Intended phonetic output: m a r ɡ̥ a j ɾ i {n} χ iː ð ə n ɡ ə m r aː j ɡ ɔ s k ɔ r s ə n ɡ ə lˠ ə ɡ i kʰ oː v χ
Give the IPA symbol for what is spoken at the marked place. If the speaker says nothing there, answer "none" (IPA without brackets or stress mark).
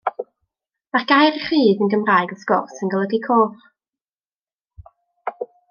none